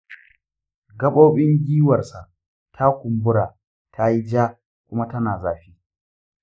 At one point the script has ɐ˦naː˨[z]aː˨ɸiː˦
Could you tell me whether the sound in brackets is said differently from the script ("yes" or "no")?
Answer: no